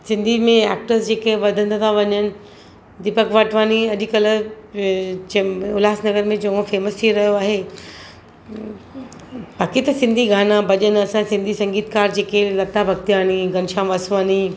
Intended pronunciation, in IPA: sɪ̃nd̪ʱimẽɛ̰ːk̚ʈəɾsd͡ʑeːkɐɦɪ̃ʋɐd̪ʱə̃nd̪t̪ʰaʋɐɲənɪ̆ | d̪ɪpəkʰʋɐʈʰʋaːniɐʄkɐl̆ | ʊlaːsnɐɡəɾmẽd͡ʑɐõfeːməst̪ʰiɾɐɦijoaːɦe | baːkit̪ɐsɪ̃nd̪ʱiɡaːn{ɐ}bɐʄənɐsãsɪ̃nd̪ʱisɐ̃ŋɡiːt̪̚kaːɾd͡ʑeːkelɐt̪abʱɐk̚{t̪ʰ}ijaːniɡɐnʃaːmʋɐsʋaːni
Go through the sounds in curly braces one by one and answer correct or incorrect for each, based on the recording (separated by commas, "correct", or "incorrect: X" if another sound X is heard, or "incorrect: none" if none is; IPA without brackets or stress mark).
incorrect: a, incorrect: t̪